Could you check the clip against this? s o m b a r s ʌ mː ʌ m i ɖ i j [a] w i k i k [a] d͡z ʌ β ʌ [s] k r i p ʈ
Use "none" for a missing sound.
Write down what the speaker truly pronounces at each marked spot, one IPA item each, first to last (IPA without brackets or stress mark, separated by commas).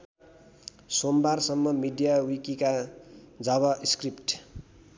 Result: a, a, s